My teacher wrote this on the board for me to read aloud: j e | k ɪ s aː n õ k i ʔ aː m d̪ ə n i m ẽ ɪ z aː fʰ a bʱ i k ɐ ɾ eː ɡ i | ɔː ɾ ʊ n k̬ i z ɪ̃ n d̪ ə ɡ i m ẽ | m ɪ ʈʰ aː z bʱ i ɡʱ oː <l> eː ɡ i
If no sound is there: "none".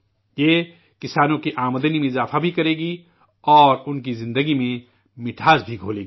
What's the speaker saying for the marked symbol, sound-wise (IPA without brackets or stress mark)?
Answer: l